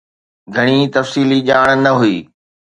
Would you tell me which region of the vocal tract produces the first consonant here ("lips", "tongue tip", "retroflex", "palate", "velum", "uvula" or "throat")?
velum